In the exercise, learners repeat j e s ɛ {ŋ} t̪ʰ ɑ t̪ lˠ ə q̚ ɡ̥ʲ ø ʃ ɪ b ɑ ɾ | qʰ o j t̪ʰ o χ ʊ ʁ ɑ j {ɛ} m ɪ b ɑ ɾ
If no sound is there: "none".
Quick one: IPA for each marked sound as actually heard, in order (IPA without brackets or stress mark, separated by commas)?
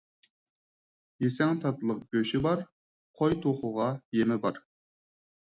ŋ, e